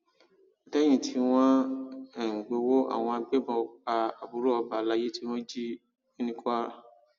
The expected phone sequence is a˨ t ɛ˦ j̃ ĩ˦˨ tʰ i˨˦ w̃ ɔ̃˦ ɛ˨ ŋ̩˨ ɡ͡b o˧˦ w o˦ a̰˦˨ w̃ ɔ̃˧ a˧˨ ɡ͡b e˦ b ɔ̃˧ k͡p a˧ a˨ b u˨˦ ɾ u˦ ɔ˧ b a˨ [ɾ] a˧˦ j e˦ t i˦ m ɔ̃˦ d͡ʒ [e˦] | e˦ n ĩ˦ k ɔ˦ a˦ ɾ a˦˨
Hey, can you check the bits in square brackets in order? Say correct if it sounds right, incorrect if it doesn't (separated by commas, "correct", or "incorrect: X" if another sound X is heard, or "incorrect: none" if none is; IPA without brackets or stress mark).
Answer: incorrect: l, incorrect: i˦